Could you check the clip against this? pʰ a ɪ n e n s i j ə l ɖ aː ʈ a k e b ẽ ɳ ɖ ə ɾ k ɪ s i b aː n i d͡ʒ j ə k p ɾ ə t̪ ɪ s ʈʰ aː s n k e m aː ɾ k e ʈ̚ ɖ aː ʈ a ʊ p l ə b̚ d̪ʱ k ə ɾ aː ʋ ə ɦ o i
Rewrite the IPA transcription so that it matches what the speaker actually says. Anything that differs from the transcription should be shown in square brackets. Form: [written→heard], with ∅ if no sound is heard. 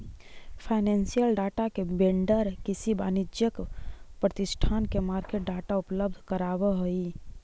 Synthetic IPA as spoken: pʰ a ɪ n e n s i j ə l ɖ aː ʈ a k e b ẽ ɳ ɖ ə ɾ k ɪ s i b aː n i d͡ʒ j ə k p ɾ ə t̪ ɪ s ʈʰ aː [s→∅] n k e m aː ɾ k e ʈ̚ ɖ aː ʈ a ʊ p l ə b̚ d̪ʱ k ə ɾ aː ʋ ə ɦ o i